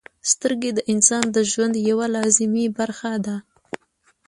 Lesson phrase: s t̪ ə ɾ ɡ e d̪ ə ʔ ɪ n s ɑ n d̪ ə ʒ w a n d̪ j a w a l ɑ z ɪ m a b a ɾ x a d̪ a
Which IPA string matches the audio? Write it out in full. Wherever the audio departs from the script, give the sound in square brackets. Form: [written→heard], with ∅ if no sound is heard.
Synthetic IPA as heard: s t̪ ə ɾ ɡ e d̪ ə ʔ ɪ n s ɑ n d̪ ə ʒ w a n d̪ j a w a l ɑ z ɪ m [a→i] b a ɾ x a d̪ a